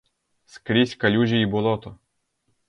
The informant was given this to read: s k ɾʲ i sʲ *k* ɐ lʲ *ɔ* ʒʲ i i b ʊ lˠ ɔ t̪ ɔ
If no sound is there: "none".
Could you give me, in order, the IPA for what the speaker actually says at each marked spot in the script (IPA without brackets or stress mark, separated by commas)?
k, u